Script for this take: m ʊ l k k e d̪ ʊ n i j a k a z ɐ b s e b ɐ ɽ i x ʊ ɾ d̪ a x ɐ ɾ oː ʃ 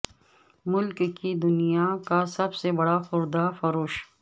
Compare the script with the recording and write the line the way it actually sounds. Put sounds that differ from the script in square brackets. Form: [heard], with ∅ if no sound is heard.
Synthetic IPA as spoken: m ʊ l k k [i] d̪ ʊ n i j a k a [s] ɐ b s e b ɐ ɽ [a] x ʊ ɾ d̪ a [f] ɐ ɾ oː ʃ